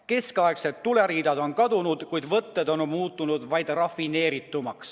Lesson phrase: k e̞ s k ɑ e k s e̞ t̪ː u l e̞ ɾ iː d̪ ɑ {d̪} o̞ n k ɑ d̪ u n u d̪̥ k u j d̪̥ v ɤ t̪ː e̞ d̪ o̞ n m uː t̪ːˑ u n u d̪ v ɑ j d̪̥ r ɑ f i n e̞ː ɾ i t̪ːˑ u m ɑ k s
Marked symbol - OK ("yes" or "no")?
yes